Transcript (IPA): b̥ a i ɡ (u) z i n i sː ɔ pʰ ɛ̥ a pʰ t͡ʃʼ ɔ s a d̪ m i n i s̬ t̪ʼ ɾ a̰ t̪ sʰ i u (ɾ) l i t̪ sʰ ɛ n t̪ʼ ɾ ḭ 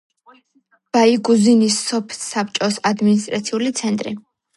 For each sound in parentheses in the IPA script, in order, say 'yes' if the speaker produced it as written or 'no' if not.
yes, no

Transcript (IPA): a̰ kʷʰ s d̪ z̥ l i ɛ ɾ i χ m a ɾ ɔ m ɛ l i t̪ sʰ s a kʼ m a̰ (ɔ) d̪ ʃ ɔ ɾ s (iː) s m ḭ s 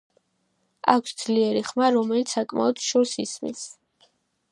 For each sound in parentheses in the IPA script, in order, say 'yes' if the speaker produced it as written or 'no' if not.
yes, no

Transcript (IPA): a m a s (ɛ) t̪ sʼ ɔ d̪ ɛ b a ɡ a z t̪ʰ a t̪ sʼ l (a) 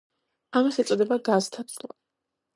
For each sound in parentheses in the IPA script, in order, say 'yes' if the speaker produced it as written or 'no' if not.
yes, yes

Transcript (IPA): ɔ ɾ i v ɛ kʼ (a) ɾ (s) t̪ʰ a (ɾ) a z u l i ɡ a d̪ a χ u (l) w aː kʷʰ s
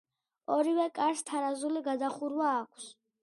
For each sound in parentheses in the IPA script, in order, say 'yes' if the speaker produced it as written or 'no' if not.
yes, yes, yes, no

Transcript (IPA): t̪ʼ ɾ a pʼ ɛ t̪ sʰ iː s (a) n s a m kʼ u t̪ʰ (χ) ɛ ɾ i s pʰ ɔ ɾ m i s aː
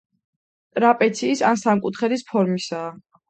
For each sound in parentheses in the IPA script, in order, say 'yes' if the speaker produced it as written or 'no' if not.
yes, yes

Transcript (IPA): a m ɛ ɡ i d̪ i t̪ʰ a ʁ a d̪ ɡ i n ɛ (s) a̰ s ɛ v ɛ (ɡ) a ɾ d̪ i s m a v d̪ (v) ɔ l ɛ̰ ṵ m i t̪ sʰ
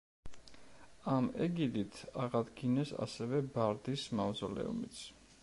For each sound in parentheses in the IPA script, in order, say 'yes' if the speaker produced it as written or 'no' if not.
yes, no, no

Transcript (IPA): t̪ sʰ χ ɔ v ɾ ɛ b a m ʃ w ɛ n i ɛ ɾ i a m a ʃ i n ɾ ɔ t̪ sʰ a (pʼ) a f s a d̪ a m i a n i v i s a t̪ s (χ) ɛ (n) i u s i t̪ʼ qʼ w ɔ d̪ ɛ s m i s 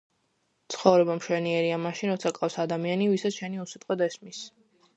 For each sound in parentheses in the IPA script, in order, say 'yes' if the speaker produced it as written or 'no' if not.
no, no, yes

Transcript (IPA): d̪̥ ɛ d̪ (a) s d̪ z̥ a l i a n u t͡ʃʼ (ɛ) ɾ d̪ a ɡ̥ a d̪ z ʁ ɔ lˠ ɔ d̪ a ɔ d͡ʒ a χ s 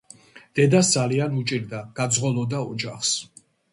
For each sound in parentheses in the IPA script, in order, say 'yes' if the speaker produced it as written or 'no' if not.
yes, no

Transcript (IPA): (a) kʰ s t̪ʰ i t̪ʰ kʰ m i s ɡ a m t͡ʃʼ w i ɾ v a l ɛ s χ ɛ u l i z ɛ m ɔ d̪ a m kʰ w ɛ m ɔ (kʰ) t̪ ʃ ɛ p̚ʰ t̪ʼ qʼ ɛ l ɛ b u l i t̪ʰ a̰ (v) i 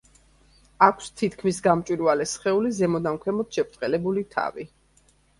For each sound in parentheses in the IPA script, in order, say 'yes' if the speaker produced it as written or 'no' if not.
yes, no, yes

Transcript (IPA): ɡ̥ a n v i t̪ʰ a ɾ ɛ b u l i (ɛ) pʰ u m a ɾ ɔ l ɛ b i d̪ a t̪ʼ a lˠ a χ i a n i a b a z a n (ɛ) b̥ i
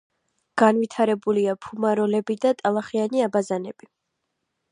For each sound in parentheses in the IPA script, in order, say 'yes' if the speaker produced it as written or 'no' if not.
no, yes

